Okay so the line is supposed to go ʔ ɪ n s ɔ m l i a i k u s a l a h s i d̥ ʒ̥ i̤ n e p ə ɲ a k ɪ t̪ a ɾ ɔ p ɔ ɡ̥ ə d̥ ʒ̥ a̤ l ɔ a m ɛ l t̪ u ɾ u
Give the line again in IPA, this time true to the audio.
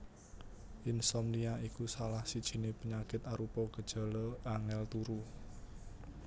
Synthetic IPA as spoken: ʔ ɪ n s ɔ m l i a i k u s a l a h s i d̥ ʒ̥ i̤ n e p ə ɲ a k ɪ t̪ a ɾ u p ɔ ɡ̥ ə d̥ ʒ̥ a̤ l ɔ a ŋ ɛ l t̪ u ɾ u

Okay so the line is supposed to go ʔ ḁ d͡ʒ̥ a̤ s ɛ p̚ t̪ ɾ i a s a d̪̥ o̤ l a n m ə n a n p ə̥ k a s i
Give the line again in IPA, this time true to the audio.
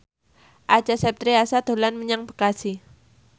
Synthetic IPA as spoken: ʔ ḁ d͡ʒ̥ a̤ s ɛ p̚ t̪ ɾ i a s a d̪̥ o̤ l a n m ə ɲ a ŋ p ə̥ k a s i

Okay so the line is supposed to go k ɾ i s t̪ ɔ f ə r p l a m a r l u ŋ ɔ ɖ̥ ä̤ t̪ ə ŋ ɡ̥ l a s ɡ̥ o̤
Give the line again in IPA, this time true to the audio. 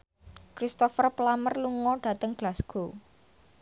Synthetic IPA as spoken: k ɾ i s t̪ ɔ f ə r p l a m ə r l u ŋ ɔ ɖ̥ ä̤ t̪ ə ŋ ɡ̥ l a s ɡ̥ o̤

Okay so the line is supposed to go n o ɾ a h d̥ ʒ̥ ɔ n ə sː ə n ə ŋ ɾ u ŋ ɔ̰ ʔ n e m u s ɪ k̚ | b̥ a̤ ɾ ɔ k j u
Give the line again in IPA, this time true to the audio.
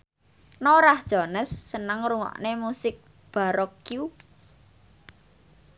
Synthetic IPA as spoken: n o ɾ a h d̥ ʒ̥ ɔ n ə sː ə n ə ŋ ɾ u ŋ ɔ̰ ʔ n e m u s ɪ k̚ | b̥ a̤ ɾ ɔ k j u

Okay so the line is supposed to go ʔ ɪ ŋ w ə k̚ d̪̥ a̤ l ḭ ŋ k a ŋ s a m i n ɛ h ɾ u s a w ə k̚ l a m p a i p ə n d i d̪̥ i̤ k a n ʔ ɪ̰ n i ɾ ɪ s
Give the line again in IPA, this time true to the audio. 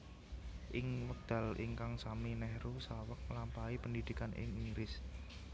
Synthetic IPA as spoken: ʔ ɪ ŋ w ə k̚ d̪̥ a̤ l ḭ ŋ k a ŋ s a m i n ɛ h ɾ u s a w ə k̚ l a m p a i p ə n d i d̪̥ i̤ k a n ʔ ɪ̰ ŋ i ɾ ɪ s

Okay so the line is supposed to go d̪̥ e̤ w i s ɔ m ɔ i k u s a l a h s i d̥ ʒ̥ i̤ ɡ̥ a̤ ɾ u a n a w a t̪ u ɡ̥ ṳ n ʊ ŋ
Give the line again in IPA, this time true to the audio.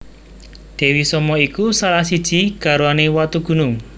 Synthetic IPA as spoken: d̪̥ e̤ w i s ɔ m ɔ i k u s a l a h s i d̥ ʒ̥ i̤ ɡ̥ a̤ ɾ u a n e w a t̪ u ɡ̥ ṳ n ʊ ŋ

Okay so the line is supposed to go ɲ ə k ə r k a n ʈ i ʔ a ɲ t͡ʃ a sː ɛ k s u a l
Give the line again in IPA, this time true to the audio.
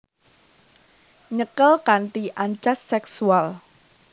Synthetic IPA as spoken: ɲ ə k ə l k a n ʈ i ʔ a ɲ t͡ʃ a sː ɛ k s u a l

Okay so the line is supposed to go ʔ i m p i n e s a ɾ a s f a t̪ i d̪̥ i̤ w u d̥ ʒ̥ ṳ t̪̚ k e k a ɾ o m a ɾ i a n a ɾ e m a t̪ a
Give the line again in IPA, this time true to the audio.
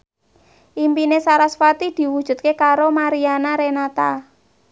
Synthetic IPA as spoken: ʔ i m p i n e s a ɾ a s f a t̪ i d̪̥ i̤ w u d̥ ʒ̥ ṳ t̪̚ k e k a ɾ o m a ɾ i a n a ɾ e n a t̪ a

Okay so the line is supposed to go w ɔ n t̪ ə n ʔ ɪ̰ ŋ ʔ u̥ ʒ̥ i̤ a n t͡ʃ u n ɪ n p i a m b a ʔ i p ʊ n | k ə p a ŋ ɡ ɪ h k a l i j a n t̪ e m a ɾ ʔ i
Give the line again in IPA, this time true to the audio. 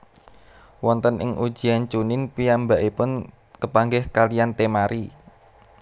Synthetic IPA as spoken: w ɔ n t̪ ə n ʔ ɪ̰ ŋ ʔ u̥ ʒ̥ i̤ a n t͡ʃ u n ɪ n p i a m b a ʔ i p ʊ n | k ə p a ŋ ɡ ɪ h k a l i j a n t̪ e m a ɾ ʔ i

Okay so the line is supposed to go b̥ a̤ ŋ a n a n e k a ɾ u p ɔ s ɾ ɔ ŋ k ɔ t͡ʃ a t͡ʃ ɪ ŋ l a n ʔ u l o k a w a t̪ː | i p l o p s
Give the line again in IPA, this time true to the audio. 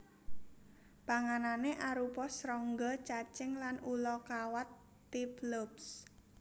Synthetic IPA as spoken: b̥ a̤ ŋ a n a n e ʔ a ɾ u p ɔ s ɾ ɔ ŋ ɡ ɔ t͡ʃ a t͡ʃ ɪ ŋ l a n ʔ u l ɔ k a w a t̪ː | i p l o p s

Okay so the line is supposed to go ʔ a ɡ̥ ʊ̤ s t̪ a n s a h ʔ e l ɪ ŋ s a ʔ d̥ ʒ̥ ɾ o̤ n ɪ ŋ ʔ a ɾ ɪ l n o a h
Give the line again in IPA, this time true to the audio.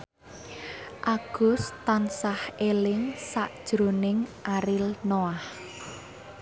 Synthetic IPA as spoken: ʔ a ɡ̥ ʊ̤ s t̪ a n s a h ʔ e l ɪ ŋ s a ʔ d̥ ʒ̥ ɾ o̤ n ɪ ŋ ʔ a ɾ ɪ l n o a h

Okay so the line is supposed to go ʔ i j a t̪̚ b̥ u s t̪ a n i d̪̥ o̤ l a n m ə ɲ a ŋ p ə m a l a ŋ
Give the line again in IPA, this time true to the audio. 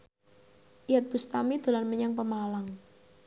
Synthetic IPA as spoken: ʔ i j a t̪̚ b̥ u s t̪ a m i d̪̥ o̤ l a n m ə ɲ a ŋ p ə m a l a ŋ

